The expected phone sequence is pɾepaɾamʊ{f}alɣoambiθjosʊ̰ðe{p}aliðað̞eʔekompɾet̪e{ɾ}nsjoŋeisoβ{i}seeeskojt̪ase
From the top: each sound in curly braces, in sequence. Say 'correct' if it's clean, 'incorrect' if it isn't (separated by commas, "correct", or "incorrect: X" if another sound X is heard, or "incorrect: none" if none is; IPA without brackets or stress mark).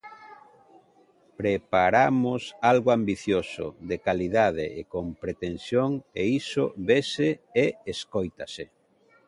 incorrect: s, incorrect: k, incorrect: none, incorrect: e